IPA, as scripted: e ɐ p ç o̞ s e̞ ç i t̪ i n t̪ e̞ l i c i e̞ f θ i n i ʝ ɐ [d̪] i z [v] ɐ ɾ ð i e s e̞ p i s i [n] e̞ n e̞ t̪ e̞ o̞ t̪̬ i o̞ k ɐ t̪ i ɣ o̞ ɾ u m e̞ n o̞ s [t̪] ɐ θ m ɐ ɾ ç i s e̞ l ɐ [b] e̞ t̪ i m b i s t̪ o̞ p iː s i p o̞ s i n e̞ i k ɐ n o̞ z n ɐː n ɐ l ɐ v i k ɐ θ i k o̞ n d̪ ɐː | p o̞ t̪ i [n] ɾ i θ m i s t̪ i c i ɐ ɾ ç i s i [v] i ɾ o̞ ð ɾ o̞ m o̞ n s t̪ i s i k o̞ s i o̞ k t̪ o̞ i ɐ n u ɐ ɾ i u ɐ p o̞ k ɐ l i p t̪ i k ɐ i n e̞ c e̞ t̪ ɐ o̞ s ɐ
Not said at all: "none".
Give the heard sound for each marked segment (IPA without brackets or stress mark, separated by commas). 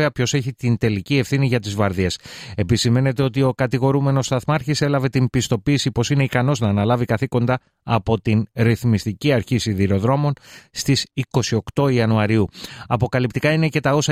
t̪, v, m, t̪, v, n, ð